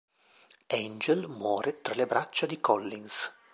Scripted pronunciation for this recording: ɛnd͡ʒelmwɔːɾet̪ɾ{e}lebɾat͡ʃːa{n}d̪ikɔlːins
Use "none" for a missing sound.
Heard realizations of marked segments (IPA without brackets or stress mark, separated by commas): a, none